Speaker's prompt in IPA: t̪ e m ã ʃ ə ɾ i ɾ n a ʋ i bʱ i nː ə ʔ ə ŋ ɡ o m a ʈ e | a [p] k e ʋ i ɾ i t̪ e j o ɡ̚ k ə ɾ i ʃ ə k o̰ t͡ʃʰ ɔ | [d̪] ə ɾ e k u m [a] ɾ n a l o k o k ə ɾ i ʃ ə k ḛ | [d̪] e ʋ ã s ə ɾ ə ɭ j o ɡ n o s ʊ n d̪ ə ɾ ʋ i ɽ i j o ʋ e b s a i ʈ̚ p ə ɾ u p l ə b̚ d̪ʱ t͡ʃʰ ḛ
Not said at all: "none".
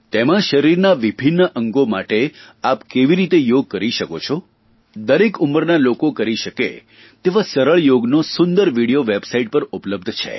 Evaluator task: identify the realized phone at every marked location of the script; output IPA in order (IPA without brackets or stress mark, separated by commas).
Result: p, d̪, ə, t̪